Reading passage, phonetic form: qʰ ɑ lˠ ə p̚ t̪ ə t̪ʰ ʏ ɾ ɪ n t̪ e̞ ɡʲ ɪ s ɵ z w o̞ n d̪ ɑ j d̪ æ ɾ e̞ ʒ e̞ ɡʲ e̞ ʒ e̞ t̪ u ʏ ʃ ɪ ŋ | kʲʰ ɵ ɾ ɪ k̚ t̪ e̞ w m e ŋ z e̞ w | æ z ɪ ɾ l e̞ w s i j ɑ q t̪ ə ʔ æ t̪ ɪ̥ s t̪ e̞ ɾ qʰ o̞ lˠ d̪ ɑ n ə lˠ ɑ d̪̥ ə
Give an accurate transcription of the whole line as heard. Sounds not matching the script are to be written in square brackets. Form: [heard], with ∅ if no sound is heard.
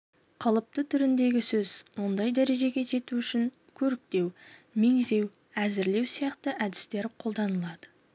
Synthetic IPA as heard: qʰ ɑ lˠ ə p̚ t̪ ə t̪ʰ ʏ ɾ ɪ n [d̪] e̞ ɡʲ ɪ s ɵ z w o̞ n d̪ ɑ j d̪ æ ɾ e̞ ʒ e̞ ɡʲ e̞ ʒ e̞ t̪ u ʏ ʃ ɪ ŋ | kʲʰ ɵ ɾ ɪ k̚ t̪ e̞ w m e ŋ z e̞ w | æ z ɪ ɾ l e̞ w s i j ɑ q t̪ ə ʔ æ [d̪] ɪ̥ s t̪ e̞ ɾ qʰ o̞ lˠ d̪ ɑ n ə lˠ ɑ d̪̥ ə

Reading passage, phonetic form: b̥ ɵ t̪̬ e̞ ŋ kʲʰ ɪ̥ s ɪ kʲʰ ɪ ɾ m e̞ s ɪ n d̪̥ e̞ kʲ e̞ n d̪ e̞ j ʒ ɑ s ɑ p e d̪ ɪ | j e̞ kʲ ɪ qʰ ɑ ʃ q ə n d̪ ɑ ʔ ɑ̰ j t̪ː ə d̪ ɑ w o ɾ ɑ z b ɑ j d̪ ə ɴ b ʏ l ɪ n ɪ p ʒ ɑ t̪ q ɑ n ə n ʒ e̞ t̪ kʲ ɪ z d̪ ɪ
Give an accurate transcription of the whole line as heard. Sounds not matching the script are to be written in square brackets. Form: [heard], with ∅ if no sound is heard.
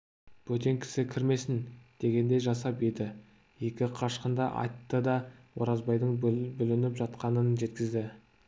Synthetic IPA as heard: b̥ ɵ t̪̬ e̞ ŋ kʲʰ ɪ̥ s ɪ kʲʰ ɪ ɾ m e̞ s ɪ n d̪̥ e̞ [ɡʲ] e̞ n d̪ e̞ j ʒ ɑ s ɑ p e d̪ ɪ | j e̞ kʲ ɪ qʰ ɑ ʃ q ə n d̪ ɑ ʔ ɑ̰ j t̪ː ə d̪ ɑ w o ɾ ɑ z b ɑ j d̪ ə ɴ b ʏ l ɪ n ɪ p ʒ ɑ t̪ q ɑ n ə n ʒ e̞ t̪ kʲ ɪ z d̪ ɪ

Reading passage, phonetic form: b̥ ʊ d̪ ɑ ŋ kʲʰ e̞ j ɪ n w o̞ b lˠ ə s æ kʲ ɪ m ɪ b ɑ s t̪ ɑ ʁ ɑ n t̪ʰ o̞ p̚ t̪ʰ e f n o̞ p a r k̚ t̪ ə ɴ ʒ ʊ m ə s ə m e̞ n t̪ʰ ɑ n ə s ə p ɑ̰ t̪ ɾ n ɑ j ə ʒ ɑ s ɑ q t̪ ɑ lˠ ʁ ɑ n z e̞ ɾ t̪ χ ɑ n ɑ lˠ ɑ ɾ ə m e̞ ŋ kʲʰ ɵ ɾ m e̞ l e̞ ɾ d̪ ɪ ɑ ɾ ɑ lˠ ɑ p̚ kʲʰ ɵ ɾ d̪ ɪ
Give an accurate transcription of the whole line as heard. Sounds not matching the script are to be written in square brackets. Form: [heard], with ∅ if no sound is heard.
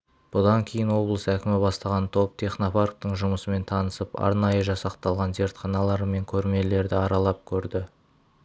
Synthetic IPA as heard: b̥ ʊ d̪ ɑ ŋ kʲʰ e̞ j ɪ n w o̞ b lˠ ə s æ kʲ ɪ m ɪ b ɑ s t̪ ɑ ʁ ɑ n t̪ʰ o̞ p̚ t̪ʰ e [χ] n o̞ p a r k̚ t̪ ə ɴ ʒ ʊ m ə s ə m e̞ n t̪ʰ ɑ n ə s ə p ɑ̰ [∅] ɾ n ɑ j ə ʒ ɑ s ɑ q t̪ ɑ lˠ ʁ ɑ n z e̞ ɾ t̪ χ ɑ n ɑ lˠ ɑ ɾ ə m e̞ ŋ kʲʰ ɵ ɾ m e̞ l e̞ ɾ d̪ ɪ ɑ ɾ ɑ lˠ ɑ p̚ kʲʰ ɵ ɾ d̪ ɪ

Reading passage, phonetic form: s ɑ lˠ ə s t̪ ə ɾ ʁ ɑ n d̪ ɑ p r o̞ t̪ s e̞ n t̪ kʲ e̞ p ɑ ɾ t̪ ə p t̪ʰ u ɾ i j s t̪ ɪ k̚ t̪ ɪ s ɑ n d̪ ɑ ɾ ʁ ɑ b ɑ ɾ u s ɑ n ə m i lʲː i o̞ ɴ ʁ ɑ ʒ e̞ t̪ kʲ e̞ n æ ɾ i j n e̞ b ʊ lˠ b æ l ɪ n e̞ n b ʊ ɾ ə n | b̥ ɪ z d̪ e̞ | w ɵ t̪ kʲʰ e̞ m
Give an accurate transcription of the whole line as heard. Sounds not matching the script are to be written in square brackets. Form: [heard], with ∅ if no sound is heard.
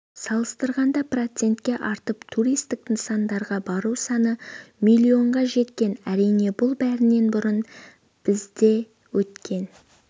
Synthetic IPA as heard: s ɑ lˠ ə s t̪ ə ɾ ʁ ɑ n d̪ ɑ p r o̞ t̪ s e̞ n t̪ kʲ e̞ [ʔ] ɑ ɾ t̪ ə p t̪ʰ u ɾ i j s t̪ ɪ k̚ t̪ ɪ s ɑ n d̪ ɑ ɾ ʁ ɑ b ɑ ɾ u s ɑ n ə m i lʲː i o̞ ɴ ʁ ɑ ʒ e̞ t̪ kʲ e̞ n æ ɾ i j n e̞ b ʊ lˠ b æ [ɾ] ɪ n e̞ n b ʊ ɾ ə n | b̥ ɪ z d̪ e̞ | w ɵ t̪ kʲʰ e̞ [n]

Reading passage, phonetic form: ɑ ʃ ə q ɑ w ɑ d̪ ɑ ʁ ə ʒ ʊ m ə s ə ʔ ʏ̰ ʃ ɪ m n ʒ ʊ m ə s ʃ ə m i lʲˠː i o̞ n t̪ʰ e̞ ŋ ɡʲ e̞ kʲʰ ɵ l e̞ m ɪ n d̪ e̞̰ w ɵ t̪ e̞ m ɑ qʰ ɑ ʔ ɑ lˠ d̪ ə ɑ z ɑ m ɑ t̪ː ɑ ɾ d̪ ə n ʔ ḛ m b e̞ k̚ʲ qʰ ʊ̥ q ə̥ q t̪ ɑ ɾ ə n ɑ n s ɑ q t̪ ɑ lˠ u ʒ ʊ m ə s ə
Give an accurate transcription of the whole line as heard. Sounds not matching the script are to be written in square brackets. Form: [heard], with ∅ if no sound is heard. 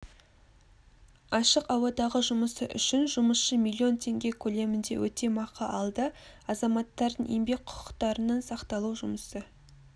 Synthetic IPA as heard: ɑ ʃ ə q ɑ w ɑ d̪ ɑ ʁ ə ʒ ʊ m ə s ə ʔ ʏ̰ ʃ ɪ [∅] n ʒ ʊ m ə s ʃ ə m i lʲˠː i o̞ n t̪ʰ e̞ ŋ ɡʲ e̞ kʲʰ ɵ l e̞ m ɪ n d̪ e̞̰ w ɵ t̪ e̞ m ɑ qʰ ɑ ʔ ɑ lˠ d̪ ə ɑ z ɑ m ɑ t̪ː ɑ ɾ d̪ ə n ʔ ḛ m b e̞ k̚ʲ qʰ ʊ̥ q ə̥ q t̪ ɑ ɾ ə n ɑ n s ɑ q t̪ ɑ lˠ u ʒ ʊ m ə s ə

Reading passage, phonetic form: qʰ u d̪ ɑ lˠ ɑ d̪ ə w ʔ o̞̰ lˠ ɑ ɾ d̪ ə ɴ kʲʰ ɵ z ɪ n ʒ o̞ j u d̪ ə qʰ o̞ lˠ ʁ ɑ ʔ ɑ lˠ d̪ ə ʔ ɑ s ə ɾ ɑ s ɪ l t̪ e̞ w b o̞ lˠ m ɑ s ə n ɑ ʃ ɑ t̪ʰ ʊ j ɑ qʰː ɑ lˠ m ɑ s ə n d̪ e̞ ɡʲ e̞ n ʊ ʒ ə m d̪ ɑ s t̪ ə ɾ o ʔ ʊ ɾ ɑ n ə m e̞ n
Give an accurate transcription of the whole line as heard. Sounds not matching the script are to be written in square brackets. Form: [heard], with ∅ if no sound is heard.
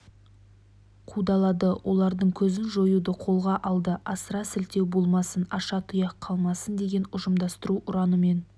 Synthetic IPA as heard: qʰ u d̪ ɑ lˠ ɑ d̪ ə w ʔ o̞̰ lˠ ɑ ɾ d̪ ə ɴ kʲʰ ɵ z ɪ n ʒ o̞ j u d̪ ə qʰ o̞ lˠ ʁ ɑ ʔ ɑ lˠ d̪ ə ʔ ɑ s ə ɾ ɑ s ɪ l t̪ e̞ w b o̞ lˠ m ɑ s ə n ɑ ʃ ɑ t̪ʰ ʊ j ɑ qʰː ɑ lˠ m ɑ s ə n d̪ e̞ ɡʲ e̞ n ʊ ʒ ə m d̪ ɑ s t̪ ə ɾ [u] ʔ ʊ ɾ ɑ n ə m e̞ n

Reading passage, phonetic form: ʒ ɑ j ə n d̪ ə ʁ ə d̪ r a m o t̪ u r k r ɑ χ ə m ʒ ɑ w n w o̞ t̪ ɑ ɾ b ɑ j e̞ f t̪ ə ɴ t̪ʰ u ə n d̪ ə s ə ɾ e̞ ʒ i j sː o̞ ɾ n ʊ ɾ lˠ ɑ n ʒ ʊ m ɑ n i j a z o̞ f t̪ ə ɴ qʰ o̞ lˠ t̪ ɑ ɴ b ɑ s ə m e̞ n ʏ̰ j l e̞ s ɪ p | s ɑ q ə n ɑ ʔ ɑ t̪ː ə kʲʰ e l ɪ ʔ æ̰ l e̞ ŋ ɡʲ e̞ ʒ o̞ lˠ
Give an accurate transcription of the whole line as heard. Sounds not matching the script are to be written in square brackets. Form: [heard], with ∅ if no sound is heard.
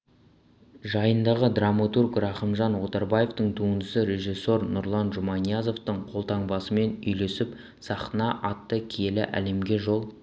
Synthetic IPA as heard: ʒ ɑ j ə n d̪ [ɑ] ʁ ə d̪ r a m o t̪ u r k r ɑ χ ə m ʒ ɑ [∅] n w o̞ t̪ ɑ ɾ b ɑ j e̞ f t̪ ə ɴ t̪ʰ u ə n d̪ ə s ə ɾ e̞ ʒ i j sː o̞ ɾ n ʊ ɾ lˠ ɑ n ʒ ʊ m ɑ n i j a z o̞ f t̪ ə ɴ qʰ o̞ lˠ t̪ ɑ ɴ b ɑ s ə m e̞ n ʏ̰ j l e̞ s ɪ p | s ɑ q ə n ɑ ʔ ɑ t̪ː ə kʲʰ e l ɪ ʔ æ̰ l e̞ [m] ɡʲ e̞ ʒ o̞ lˠ

